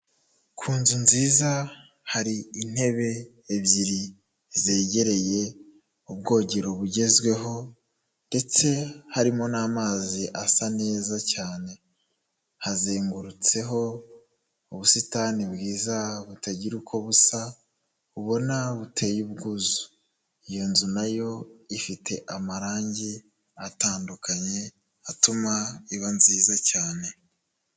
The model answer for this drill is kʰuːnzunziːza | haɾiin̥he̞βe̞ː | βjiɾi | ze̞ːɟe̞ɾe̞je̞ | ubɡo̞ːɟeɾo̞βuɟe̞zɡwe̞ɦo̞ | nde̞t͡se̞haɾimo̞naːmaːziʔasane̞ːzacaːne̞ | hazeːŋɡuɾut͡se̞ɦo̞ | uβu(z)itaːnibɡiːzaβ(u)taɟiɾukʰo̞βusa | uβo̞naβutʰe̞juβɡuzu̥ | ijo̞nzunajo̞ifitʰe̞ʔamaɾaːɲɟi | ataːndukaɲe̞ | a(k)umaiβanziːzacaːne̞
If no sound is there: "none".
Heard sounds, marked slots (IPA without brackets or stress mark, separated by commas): s, u, t